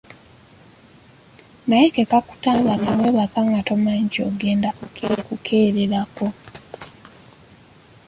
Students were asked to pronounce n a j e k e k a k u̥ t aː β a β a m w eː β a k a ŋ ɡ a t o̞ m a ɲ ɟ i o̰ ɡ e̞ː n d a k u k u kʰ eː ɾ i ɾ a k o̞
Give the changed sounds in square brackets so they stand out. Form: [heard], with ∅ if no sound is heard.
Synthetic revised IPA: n a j e k e k a k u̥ t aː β a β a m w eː β a k a ŋ ɡ a t o̞ m a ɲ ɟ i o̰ ɡ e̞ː n d a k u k u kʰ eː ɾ [e] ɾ a k o̞